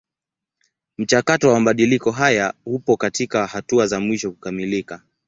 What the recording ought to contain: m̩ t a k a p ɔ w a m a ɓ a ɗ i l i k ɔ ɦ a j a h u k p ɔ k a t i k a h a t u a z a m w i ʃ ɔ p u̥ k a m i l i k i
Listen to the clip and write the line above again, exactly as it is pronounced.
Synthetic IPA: m̩ t͡ʃ a k a t ɔ w a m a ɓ a ɗ i l i k ɔ ɦ a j a h u p ɔ k a t i k a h a t u a z a m w i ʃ ɔ k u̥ k a m i l i k a